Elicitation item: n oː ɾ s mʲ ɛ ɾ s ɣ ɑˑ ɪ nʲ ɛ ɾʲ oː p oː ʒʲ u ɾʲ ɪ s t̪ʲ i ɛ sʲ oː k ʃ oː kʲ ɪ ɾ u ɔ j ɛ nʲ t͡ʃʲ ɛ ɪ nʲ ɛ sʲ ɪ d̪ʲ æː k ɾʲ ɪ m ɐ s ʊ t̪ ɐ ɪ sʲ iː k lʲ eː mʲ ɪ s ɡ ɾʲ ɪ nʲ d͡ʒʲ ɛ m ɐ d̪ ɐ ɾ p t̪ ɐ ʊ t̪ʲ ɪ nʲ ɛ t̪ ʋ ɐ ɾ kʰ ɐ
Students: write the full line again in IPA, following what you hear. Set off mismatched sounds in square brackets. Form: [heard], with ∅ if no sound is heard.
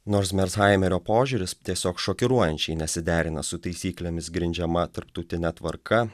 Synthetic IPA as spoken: n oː ɾ s mʲ ɛ ɾ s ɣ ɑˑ ɪ [mʲ] ɛ ɾʲ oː p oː ʒʲ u ɾʲ ɪ s t̪ʲ i ɛ sʲ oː k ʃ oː kʲ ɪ ɾ u ɔ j ɛ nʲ t͡ʃʲ ɛ ɪ nʲ ɛ sʲ ɪ d̪ʲ æː [∅] ɾʲ ɪ [n] ɐ s ʊ t̪ ɐ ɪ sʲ iː k lʲ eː mʲ ɪ s ɡ ɾʲ ɪ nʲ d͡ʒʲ ɛ m ɐ [t̪] ɐ ɾ p t̪ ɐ ʊ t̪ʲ ɪ nʲ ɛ t̪ ʋ ɐ ɾ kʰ ɐ